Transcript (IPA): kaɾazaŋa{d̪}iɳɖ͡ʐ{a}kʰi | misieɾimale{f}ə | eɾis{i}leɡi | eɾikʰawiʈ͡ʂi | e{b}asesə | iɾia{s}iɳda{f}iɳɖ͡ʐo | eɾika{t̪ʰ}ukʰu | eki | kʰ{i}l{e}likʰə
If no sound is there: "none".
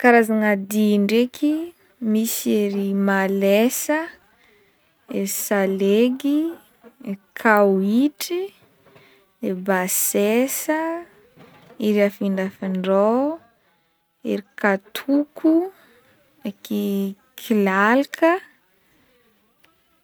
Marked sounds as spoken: d̪, e, s, a, b, f, f, t̪ʰ, i, a

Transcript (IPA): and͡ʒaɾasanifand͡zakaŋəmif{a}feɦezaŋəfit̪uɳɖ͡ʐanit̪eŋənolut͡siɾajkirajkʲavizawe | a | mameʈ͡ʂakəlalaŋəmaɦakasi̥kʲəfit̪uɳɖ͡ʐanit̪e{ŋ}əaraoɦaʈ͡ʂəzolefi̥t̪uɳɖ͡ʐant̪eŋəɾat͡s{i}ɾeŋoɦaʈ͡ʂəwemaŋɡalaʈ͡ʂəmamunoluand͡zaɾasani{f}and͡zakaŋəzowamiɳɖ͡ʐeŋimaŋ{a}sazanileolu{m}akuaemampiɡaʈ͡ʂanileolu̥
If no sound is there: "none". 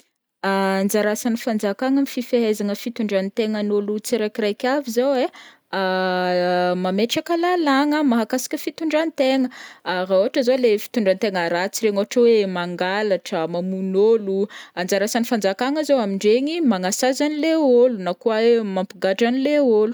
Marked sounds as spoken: i, ŋ, i, f, a, n

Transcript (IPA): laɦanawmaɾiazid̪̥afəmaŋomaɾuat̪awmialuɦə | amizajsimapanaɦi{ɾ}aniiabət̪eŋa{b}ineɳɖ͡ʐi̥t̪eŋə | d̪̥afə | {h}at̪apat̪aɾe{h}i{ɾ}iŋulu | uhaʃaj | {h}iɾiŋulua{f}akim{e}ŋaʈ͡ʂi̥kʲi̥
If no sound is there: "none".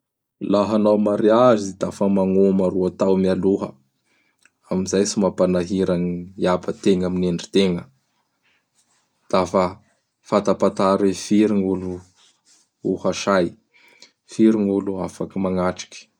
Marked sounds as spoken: ɾ, m, f, f, ɾ, f, f, a

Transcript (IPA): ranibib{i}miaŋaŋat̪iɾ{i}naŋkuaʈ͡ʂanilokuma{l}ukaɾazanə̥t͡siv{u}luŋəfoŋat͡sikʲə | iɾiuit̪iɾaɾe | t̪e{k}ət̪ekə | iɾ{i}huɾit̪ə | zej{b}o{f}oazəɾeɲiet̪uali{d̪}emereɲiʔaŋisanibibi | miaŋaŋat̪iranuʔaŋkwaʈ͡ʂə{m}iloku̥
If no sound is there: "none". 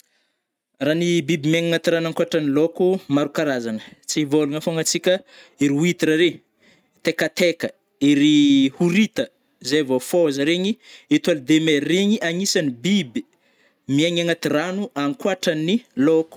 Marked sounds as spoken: i, a, ɾ, o, k, i, v, f, d̪, n

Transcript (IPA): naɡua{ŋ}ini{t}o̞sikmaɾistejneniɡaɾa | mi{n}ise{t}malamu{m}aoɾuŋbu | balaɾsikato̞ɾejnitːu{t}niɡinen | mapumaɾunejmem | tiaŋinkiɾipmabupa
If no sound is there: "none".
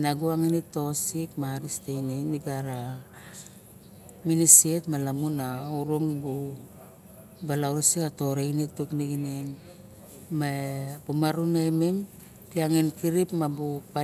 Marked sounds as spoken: ŋ, t, n, t, n, k

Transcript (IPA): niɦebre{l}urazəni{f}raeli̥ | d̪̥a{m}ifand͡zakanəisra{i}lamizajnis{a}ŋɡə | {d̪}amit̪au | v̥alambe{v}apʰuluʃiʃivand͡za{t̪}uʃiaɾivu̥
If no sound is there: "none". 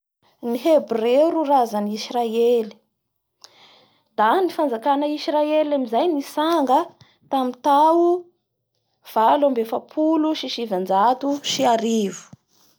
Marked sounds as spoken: ɾ, s, n, e, a, t̪, f, t̪

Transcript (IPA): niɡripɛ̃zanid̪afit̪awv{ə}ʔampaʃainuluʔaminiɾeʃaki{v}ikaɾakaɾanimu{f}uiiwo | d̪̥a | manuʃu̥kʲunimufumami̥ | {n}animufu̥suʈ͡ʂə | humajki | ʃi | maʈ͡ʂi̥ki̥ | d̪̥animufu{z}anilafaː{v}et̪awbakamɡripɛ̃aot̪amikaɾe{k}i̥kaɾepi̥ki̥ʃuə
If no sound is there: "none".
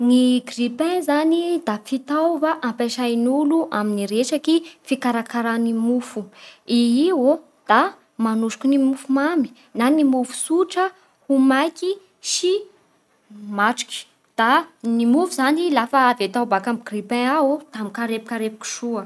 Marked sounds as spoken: a, f, f, n, z, v, p

